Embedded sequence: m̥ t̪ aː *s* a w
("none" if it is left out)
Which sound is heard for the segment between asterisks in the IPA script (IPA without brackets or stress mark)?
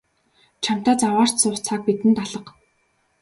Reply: t͡s